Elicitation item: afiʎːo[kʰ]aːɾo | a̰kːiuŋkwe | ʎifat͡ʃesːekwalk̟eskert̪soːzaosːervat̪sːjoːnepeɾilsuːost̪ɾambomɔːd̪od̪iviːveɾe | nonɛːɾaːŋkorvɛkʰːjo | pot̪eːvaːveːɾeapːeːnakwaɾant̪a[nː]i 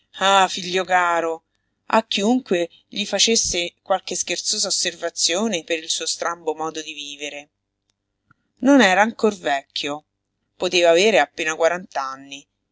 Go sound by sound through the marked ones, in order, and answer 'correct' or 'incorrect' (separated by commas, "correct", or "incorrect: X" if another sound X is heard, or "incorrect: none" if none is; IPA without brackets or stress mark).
incorrect: k, correct